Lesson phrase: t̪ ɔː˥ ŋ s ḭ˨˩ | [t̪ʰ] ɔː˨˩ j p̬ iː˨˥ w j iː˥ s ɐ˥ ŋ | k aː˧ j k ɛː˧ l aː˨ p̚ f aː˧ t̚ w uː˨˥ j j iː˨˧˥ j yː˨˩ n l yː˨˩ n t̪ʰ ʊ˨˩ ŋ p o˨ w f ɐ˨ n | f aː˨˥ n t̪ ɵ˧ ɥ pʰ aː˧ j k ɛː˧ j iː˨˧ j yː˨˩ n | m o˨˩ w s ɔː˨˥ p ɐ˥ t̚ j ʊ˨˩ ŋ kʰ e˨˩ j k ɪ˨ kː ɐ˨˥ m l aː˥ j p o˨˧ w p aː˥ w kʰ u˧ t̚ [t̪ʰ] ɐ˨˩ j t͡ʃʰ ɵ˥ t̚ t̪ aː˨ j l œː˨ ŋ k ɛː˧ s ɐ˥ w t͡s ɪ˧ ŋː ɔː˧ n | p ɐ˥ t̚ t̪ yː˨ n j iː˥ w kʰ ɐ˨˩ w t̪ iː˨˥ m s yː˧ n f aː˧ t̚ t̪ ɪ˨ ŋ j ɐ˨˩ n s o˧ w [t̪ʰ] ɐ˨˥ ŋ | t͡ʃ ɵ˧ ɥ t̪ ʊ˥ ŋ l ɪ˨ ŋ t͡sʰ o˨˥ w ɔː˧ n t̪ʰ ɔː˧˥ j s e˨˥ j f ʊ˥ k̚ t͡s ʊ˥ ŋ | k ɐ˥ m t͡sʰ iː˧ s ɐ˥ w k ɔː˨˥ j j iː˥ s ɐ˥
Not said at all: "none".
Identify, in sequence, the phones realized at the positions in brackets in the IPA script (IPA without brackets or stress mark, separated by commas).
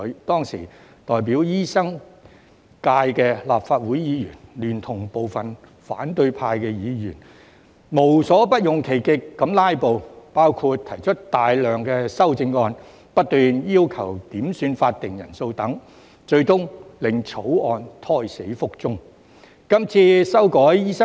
t̪, t̪ʰ, t̪